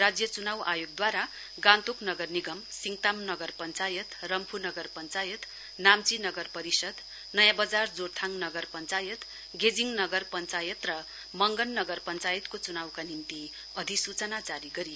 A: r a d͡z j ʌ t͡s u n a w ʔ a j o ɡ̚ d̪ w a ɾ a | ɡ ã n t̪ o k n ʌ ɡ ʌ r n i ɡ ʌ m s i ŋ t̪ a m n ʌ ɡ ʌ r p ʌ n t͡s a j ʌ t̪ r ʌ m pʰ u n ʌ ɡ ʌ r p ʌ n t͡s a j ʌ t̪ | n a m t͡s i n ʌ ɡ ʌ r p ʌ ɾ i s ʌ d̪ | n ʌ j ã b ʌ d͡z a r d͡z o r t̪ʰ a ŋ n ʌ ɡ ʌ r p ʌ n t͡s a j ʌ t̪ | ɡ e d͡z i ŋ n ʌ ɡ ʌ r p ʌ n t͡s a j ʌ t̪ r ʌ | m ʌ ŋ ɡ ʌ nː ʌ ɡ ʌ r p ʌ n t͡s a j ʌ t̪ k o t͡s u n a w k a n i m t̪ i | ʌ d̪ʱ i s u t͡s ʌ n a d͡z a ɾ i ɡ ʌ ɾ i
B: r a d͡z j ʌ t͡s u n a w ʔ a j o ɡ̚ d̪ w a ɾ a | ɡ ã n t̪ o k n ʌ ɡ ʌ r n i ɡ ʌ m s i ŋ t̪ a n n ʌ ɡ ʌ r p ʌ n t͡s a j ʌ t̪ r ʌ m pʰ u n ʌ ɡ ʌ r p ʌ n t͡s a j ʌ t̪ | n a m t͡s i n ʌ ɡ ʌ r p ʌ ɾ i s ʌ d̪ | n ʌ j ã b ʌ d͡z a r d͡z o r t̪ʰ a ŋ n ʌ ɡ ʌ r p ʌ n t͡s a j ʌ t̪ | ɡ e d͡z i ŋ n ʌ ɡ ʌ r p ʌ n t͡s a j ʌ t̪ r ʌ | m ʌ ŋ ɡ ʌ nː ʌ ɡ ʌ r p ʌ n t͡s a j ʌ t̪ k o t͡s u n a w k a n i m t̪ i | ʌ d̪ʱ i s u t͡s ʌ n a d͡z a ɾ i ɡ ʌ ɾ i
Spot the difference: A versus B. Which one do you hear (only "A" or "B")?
A